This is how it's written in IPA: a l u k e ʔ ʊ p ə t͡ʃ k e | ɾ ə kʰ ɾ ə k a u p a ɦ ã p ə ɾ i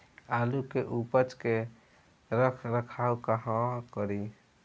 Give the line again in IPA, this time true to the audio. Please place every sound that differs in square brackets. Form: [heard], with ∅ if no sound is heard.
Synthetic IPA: a l u k e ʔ [u] p ə t͡ʃ k e | ɾ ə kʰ ɾ ə [kʰ] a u [k] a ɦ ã [k] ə ɾ i

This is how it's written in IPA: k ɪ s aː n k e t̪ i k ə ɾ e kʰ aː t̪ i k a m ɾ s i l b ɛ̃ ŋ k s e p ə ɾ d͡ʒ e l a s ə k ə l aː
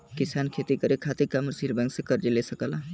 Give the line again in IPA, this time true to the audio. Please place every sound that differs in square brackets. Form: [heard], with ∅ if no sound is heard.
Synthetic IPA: k ɪ s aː n [kʰ] e t̪ i k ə ɾ e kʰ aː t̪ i k a m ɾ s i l b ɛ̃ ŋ k s e [k] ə ɾ d͡ʒ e l [e] s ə k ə l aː

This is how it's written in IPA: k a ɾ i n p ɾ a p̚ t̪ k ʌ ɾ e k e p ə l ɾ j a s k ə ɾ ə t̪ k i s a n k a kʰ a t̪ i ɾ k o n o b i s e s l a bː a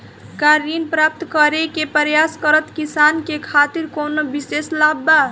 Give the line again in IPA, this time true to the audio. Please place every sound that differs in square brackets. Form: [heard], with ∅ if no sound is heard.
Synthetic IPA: k a ɾ i n p ɾ a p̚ t̪ k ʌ ɾ e k e p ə [∅] ɾ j a s k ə ɾ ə t̪ k i s a n k [e] kʰ a t̪ i ɾ k o n o b i s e s l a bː a

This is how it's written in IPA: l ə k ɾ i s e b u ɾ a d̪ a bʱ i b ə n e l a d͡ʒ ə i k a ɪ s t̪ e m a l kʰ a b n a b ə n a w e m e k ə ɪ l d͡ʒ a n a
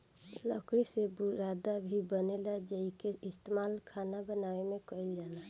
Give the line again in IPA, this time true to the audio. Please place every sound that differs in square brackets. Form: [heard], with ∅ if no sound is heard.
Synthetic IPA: l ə k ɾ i s e b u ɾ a d̪ a bʱ i b ə n e l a d͡ʒ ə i k [e] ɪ s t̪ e m a l kʰ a [∅] n a b ə n a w e m e k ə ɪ l d͡ʒ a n a

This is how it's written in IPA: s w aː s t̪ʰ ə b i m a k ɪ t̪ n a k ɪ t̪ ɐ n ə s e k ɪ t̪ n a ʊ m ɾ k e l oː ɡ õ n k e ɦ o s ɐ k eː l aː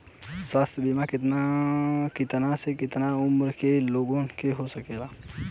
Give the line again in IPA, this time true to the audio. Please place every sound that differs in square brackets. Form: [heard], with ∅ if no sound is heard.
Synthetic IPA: s w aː s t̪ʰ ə b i m a k ɪ t̪ n a k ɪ t̪ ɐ n [a] s e k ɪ t̪ n a ʊ m ɾ k e l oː ɡ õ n k e ɦ o s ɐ k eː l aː

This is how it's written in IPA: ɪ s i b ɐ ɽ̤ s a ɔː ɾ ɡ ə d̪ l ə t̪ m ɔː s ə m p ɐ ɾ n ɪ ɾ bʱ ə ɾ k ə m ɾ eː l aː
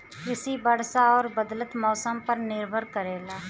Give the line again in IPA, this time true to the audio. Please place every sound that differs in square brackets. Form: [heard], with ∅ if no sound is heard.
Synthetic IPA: ɪ s i b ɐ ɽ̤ s a ɔː ɾ [b] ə d̪ l ə t̪ m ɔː s ə m p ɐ ɾ n ɪ ɾ bʱ ə ɾ k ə [∅] ɾ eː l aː

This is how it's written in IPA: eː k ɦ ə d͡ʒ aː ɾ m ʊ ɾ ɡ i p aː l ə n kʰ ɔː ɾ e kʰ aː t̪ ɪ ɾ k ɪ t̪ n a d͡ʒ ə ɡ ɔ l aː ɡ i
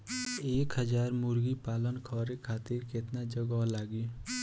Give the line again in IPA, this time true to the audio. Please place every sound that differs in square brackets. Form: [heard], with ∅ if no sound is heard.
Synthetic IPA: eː k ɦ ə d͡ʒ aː ɾ m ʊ ɾ ɡ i p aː l ə n kʰ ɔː ɾ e kʰ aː t̪ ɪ ɾ k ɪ t̪ n a d͡ʒ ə ɡ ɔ l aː ɡ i

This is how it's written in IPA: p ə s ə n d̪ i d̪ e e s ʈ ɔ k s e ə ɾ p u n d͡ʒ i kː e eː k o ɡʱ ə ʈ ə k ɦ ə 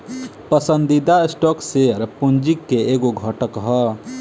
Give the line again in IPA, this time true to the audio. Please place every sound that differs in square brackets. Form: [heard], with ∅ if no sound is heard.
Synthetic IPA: p ə s ə n d̪ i d̪ [a] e s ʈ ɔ k s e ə ɾ p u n d͡ʒ i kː e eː [ɡ] o ɡʱ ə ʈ ə k ɦ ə

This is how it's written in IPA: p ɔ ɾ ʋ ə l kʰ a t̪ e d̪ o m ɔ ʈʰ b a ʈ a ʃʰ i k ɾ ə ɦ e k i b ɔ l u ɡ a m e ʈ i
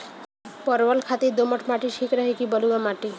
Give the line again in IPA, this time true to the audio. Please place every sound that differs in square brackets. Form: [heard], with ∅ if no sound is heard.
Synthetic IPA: p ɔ ɾ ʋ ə l kʰ a t̪ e d̪ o m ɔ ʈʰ [m] a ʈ [i] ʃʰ i k ɾ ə ɦ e k i b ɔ l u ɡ a m [a] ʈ i

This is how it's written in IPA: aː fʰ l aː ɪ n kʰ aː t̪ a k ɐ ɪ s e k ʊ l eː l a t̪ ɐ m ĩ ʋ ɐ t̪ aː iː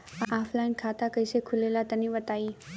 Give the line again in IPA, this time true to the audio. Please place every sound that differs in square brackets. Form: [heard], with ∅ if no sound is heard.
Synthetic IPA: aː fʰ l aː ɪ n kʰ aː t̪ a k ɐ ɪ s e [kʰ] ʊ l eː l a t̪ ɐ [n] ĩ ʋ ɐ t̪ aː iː

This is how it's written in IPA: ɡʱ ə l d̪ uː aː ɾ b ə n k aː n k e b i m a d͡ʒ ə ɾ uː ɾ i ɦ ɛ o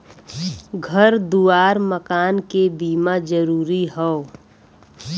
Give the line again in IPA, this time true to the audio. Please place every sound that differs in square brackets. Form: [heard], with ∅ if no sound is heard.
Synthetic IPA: ɡʱ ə [ɾ] d̪ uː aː ɾ [m] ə [∅] k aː n k e b [iː] m a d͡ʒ ə ɾ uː ɾ i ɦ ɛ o

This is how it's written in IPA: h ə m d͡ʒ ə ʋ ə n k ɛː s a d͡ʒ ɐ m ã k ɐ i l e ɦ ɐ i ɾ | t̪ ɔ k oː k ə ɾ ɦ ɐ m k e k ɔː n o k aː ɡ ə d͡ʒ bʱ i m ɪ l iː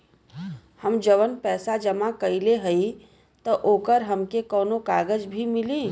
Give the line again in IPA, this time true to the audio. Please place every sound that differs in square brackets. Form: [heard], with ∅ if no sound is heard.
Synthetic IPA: h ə m d͡ʒ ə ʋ ə n [p] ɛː s a d͡ʒ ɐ m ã k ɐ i l e ɦ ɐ i [∅] | t̪ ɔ [ʔ] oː k ə ɾ ɦ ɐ m k e k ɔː n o k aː ɡ ə d͡ʒ bʱ i m ɪ l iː

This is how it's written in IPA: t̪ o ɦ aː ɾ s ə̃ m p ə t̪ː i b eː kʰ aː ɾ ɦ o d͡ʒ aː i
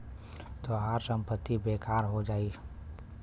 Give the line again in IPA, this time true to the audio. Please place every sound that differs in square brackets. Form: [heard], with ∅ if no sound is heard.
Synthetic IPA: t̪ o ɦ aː ɾ s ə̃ m p ə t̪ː i b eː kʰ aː ɾ ɦ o d͡ʒ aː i

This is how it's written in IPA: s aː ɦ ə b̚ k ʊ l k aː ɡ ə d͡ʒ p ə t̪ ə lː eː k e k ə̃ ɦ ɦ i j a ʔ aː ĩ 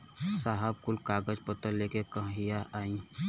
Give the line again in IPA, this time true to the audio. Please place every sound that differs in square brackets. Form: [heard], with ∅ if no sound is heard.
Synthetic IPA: s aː ɦ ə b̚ k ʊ l k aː ɡ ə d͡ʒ p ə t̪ ə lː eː k e k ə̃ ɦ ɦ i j a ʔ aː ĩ

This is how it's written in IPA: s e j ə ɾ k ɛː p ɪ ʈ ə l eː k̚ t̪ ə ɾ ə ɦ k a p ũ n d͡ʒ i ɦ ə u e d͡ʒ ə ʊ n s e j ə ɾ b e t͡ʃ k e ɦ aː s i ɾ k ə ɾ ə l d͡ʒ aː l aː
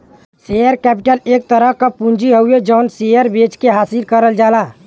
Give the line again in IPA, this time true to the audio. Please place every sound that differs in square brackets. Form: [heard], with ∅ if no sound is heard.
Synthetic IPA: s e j ə ɾ k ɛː p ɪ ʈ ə l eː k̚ t̪ ə ɾ ə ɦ k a p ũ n d͡ʒ i ɦ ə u e d͡ʒ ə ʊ n s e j ə ɾ b e t͡ʃ k e ɦ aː s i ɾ k ə ɾ ə l d͡ʒ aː l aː

